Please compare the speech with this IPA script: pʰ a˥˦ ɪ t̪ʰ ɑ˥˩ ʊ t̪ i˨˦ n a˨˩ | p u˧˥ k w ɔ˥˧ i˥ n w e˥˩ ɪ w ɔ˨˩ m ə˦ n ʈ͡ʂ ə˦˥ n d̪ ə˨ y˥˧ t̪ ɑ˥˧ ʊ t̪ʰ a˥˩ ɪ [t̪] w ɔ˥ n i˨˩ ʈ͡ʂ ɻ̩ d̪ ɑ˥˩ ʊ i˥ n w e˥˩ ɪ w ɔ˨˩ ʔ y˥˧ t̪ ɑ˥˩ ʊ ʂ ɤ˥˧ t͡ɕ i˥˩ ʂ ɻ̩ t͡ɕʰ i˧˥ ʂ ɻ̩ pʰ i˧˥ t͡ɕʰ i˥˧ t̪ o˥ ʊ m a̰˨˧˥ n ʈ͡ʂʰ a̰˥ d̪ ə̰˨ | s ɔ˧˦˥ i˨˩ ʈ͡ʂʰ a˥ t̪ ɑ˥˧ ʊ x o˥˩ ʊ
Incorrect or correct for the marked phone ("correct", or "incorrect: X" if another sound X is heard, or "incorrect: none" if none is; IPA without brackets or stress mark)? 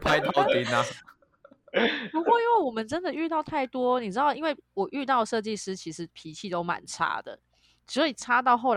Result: correct